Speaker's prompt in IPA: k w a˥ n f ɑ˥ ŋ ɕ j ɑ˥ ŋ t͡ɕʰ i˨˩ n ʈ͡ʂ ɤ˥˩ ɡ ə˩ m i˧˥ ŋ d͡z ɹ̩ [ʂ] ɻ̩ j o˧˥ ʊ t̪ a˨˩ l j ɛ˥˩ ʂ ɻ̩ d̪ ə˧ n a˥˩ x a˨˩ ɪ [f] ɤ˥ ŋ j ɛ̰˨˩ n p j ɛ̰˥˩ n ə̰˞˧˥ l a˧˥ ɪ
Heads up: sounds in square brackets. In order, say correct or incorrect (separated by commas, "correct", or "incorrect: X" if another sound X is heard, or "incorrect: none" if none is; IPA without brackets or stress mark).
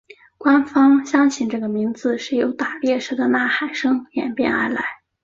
correct, incorrect: ʂ